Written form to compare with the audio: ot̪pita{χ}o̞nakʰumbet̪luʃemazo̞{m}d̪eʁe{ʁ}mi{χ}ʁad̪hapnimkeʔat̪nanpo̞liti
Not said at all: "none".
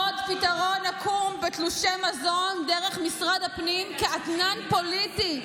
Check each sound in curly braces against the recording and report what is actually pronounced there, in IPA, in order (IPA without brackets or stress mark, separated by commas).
ʁ, n, χ, s